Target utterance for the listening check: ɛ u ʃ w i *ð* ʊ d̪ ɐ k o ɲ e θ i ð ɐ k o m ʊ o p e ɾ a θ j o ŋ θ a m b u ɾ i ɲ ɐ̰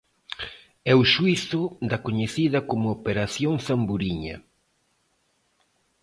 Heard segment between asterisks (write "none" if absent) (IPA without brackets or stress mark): θ